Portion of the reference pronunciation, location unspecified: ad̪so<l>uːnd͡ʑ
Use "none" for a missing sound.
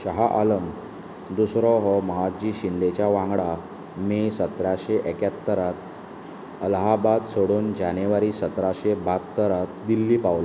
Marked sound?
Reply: ɽ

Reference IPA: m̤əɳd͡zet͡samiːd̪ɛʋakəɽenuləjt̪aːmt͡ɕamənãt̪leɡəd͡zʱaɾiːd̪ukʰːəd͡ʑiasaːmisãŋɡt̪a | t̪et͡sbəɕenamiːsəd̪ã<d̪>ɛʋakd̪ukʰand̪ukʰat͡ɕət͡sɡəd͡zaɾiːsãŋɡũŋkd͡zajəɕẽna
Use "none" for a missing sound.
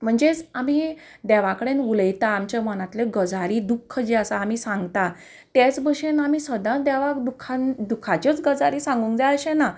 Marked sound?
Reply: d̪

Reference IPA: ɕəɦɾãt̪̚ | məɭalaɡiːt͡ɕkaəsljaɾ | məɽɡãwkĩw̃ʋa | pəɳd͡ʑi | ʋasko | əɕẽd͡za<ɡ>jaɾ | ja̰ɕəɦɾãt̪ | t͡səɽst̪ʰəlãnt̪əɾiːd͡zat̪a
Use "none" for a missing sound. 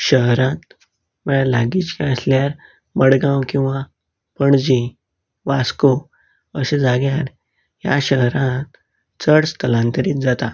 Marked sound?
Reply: ɡ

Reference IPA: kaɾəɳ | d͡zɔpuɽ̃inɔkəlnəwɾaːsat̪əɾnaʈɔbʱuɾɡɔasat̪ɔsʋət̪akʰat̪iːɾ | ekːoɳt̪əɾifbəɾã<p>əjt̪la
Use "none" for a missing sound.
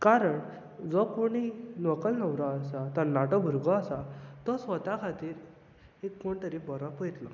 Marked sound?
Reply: p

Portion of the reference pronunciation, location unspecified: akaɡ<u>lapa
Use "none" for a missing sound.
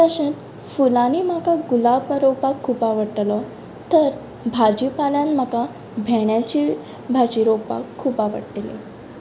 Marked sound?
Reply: u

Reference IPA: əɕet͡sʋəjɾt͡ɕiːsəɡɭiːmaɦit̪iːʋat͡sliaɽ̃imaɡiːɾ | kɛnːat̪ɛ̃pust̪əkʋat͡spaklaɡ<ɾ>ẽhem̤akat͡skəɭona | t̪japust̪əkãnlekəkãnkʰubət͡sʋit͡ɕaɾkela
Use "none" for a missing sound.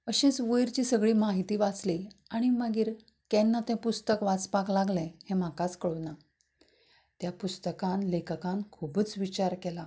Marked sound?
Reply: l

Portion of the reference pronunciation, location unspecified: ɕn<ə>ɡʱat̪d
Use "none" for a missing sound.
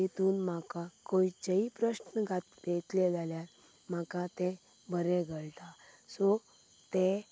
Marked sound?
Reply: ə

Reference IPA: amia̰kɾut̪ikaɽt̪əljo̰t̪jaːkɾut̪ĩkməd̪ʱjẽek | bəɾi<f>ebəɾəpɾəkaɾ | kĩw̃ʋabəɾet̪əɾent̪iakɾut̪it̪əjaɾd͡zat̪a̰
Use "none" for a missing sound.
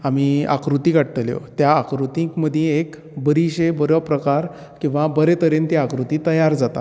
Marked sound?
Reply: ɕ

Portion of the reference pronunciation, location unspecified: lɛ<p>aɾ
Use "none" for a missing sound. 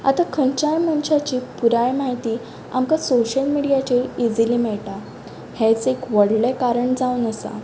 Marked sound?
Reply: k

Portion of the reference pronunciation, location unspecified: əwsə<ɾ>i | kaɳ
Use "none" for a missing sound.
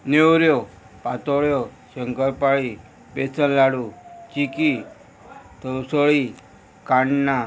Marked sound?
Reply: ɭ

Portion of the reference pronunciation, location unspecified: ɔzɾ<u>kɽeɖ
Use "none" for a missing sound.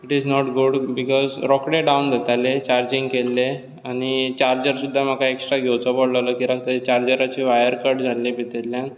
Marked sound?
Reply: ɔ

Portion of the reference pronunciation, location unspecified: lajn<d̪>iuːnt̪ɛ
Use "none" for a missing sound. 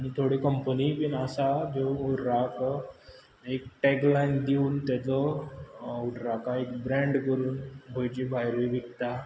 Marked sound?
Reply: d̪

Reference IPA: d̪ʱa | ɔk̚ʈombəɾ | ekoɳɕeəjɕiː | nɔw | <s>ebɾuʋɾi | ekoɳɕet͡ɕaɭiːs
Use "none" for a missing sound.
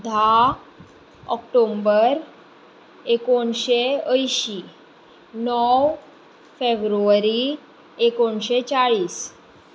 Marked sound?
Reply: f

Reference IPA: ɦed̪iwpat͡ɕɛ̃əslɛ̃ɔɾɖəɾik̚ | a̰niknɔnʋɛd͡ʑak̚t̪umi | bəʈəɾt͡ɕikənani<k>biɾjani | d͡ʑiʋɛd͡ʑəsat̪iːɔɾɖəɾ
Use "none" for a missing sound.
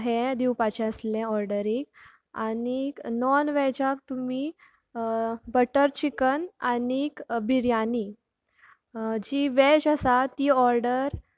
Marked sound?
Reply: k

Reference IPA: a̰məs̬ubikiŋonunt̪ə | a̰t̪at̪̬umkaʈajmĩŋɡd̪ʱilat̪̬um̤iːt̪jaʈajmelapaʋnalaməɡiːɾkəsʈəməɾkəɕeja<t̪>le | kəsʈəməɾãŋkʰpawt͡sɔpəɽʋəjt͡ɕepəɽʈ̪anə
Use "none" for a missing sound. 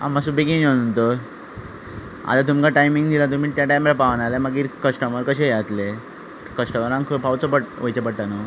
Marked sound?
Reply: t̪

